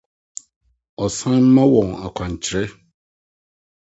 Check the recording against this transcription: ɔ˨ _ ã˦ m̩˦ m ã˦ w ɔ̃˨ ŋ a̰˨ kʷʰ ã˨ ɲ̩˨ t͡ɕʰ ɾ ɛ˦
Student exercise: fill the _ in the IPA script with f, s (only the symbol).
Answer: s